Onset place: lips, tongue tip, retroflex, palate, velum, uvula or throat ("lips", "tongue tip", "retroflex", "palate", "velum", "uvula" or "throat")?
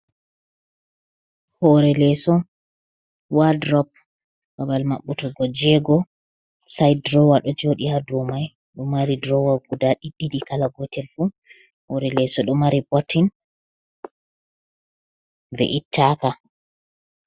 throat